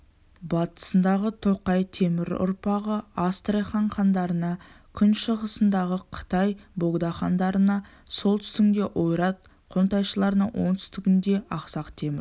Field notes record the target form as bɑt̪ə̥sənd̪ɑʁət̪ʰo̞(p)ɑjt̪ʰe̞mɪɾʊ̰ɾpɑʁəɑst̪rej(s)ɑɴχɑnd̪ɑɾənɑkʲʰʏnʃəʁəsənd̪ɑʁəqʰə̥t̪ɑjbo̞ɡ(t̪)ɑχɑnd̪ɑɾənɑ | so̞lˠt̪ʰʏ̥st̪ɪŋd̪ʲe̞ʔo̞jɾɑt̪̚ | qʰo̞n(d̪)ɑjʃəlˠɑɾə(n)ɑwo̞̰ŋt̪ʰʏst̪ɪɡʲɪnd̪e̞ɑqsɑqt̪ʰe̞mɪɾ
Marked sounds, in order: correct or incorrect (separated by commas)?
incorrect, incorrect, incorrect, incorrect, correct